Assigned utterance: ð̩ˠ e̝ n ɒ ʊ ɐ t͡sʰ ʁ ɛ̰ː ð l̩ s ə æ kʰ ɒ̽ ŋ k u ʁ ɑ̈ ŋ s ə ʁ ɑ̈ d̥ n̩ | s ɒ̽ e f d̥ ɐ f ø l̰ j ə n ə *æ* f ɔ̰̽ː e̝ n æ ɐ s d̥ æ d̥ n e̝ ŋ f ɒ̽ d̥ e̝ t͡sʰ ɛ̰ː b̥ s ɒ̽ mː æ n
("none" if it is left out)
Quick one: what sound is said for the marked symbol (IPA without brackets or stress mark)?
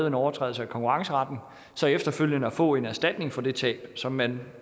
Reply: æ